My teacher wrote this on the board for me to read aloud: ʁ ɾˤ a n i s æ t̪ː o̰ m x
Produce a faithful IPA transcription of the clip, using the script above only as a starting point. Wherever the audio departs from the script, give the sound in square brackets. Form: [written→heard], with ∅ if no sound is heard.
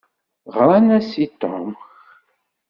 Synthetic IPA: ʁ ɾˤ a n [i→æ] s [æ→i] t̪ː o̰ m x